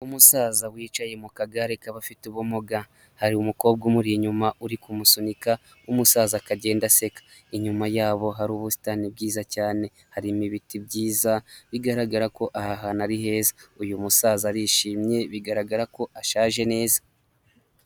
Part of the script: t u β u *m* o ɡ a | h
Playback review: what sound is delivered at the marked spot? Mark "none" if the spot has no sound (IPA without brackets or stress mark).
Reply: m